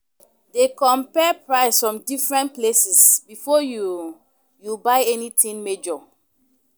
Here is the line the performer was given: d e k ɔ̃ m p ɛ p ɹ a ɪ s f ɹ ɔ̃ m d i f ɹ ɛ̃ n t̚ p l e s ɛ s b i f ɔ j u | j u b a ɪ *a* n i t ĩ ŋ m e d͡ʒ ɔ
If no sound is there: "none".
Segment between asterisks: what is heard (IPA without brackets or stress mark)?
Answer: ɛ